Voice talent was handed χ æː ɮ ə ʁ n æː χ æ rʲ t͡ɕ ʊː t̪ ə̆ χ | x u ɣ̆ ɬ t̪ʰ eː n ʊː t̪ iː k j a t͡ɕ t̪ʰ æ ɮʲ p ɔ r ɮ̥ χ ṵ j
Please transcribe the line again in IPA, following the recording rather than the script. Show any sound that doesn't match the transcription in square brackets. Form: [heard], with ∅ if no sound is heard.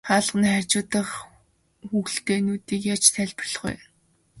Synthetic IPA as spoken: χ [aː] ɮ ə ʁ n [iː] χ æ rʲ t͡ɕ ʊː t̪ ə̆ χ | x u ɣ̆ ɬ [t̪] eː n [uː] t̪ iː k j a t͡ɕ t̪ʰ æ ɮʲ p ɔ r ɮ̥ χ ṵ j

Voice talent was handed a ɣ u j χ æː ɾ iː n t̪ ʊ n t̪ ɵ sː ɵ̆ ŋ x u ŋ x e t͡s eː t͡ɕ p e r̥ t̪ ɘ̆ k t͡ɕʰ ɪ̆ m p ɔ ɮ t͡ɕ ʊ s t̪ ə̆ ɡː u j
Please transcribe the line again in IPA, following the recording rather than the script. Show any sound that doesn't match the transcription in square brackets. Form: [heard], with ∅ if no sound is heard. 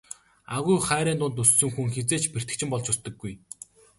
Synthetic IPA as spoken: a ɣ u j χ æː ɾ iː n t̪ ʊ n t̪ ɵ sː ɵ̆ ŋ x u ŋ x e t͡s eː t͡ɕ p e r̥ t̪ ɘ̆ k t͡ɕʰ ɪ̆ m p ɔ ɮ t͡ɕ ʊ s t̪ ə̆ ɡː u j

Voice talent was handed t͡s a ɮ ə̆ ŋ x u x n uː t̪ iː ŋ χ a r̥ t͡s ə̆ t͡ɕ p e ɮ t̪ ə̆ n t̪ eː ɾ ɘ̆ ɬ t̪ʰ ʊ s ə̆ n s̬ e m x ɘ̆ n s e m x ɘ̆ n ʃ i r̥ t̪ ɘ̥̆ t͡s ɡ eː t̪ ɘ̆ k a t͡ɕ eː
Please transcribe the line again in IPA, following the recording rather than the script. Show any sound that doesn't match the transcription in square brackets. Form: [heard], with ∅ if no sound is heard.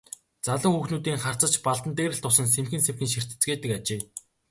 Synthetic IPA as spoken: t͡s a ɮ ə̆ ŋ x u x n uː t̪ iː ŋ χ a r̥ t͡s ə̆ t͡ɕ p [a] ɮ t̪ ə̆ n t̪ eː ɾ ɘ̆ ɬ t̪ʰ ʊ s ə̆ n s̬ e m x ɘ̆ n s e m x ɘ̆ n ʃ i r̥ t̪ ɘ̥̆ t͡s ɡ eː t̪ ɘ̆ k a t͡ɕ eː

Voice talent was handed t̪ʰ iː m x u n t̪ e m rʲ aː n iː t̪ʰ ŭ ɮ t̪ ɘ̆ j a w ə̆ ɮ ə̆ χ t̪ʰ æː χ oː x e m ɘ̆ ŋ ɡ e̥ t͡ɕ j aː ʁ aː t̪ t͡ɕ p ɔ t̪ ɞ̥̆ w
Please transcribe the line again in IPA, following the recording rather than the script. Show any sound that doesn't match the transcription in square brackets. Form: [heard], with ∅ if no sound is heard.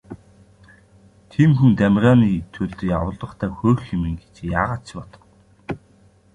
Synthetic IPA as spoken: t̪ʰ iː m x u n t̪ [æ] m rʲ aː n iː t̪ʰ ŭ ɮ t̪ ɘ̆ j a w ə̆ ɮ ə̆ χ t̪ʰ æː [x] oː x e m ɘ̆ ŋ ɡ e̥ t͡ɕ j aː ʁ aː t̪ t͡ɕ p ɔ t̪ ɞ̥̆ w

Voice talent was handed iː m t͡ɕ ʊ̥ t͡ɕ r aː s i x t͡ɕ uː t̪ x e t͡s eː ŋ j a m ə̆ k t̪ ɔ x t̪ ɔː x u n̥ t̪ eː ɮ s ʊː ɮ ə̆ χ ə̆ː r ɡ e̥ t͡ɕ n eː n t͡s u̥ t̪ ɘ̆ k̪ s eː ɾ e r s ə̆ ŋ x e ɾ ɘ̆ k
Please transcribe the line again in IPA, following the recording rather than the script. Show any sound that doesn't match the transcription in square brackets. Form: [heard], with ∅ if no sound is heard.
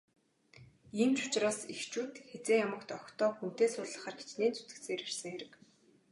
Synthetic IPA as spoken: iː m t͡ɕ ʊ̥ t͡ɕ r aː s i x t͡ɕ uː t̪ x e t͡s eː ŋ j a m ə̆ k t̪ ɔ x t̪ ɔː x u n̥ t̪ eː [∅] s ʊː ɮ ə̆ χ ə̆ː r ɡ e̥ t͡ɕ n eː n t͡s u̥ t̪ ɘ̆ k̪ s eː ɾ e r s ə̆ ŋ x e ɾ ɘ̆ k

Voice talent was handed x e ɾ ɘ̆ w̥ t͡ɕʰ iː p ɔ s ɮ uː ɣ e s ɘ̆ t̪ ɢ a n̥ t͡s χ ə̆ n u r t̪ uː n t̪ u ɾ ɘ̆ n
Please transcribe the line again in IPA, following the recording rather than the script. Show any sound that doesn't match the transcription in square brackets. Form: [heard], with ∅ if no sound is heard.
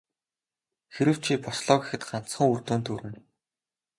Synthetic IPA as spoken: x e ɾ ɘ̆ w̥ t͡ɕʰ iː p ɔ s ɮ [ɔː] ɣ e [x] ɘ̆ t̪ ɢ a n̥ t͡s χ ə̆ [ŋ] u r t̪ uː n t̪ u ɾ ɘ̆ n

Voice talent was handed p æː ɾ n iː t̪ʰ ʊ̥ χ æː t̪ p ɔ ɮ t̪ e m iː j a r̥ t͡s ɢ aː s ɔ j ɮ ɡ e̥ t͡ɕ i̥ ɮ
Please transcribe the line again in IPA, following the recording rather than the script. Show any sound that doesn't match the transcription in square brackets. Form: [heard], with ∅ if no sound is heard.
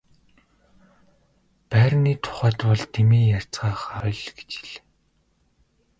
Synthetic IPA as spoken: p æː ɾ n iː t̪ʰ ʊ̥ χ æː t̪ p ɔ ɮ t̪ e m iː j a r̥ t͡s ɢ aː [χ] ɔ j ɮ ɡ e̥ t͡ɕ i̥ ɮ

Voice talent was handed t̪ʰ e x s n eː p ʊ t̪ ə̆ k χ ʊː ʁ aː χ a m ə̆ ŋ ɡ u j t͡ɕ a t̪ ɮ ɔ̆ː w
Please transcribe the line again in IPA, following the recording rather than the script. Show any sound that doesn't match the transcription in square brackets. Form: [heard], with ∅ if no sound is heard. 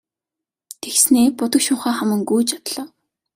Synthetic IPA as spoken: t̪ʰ e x s n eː p ʊ t̪ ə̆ k [ʃ] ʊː [χ] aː χ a m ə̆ ŋ ɡ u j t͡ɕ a t̪ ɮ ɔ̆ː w

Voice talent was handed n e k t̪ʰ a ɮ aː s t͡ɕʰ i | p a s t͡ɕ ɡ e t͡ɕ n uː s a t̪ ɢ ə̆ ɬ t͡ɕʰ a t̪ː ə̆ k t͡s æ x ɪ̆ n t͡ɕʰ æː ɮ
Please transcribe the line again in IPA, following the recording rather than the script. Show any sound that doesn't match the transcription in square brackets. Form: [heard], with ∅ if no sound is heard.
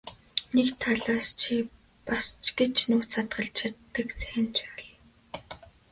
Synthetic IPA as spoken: n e k t̪ʰ a ɮ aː s t͡ɕʰ i | p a s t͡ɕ ɡ e t͡ɕ n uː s a t̪ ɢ ə̆ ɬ t͡ɕʰ a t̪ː ə̆ k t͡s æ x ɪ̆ n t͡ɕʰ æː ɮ

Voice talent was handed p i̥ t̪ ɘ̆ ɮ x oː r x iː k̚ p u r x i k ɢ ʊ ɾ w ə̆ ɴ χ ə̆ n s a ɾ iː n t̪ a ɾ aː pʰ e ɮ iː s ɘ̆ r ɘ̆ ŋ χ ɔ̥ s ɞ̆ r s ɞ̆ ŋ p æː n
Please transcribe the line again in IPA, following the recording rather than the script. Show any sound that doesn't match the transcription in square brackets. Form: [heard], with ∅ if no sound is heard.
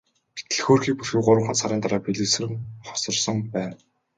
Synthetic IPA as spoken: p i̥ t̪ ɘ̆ ɮ x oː r x iː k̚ p u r x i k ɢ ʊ ɾ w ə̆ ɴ χ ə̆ n s a ɾ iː n t̪ a ɾ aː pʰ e ɮ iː s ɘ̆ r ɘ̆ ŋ χ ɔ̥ s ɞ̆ r s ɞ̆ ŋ p æː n

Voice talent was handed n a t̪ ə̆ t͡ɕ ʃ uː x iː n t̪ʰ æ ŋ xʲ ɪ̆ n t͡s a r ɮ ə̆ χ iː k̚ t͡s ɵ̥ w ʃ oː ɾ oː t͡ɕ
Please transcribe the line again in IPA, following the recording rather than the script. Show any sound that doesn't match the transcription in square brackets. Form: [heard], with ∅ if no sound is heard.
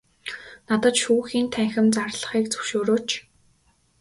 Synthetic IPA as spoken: n a t̪ ə̆ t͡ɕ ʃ uː x iː n t̪ʰ æ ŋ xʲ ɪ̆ [m] t͡s a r ɮ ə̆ χ iː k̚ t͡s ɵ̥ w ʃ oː ɾ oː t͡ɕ

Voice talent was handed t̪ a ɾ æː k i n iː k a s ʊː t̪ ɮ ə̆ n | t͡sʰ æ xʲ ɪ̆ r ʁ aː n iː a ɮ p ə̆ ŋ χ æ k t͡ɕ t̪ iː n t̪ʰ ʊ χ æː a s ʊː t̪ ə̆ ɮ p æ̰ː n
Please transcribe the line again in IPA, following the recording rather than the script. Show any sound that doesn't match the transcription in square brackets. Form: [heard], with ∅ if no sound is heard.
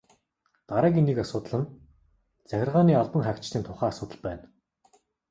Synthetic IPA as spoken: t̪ a ɾ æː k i n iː k a s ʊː t̪ ɮ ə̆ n | [t͡s] æ xʲ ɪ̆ r ʁ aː n iː a ɮ p ə̆ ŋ χ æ k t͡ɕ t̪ iː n t̪ʰ ʊ χ æː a s ʊː t̪ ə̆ ɮ p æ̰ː n

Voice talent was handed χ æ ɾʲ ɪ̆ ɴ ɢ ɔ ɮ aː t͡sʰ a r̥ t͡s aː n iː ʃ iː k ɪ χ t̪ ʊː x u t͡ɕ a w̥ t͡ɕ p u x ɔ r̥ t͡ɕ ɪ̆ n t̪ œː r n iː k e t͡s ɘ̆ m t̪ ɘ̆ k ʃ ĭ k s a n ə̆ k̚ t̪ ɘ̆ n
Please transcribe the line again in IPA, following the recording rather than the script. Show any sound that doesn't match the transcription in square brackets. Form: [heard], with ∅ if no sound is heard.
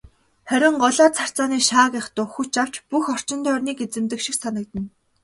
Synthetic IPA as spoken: χ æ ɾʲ ɪ̆ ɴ ɢ ɔ ɮ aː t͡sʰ a r̥ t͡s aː n iː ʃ [aː] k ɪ χ t̪ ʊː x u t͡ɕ a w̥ t͡ɕ p u x ɔ r̥ t͡ɕ ɪ̆ n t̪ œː r n iː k e t͡s ɘ̆ m t̪ ɘ̆ k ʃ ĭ k s a n ə̆ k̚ t̪ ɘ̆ n

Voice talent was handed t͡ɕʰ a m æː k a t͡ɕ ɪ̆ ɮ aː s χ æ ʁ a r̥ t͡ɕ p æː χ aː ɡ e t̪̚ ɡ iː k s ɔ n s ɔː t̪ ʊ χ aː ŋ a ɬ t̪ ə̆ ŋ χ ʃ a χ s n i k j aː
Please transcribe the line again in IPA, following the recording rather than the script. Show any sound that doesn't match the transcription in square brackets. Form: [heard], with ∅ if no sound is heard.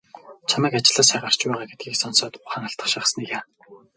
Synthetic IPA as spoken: t͡ɕʰ a m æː k a t͡ɕ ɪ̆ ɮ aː s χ æ ʁ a r̥ t͡ɕ p æː [ʁ] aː ɡ e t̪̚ ɡ iː k s ɔ n s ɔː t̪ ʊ χ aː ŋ a ɬ t̪ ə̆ [∅] χ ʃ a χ s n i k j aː

